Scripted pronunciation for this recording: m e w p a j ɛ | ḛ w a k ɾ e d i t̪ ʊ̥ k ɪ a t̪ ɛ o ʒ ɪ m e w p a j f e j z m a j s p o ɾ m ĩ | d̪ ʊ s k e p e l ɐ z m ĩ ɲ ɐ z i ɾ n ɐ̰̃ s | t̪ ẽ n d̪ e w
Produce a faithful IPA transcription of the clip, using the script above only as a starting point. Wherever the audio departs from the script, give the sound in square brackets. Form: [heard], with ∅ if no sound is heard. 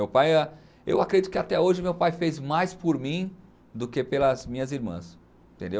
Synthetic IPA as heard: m e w p a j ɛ | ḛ w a k ɾ e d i t̪ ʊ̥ k ɪ a t̪ ɛ o ʒ ɪ m e w p a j f e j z m a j s p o ɾ m ĩ | d̪ ʊ [∅] k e p e l ɐ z m ĩ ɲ ɐ z i ɾ [m] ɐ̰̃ s | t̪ ẽ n d̪ e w